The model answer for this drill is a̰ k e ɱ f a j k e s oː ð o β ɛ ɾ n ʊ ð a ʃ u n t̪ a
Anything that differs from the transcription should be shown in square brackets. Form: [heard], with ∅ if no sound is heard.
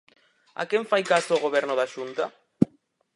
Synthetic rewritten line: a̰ k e ɱ f a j k [a] s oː [ɣ] o β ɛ ɾ n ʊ ð a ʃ u n t̪ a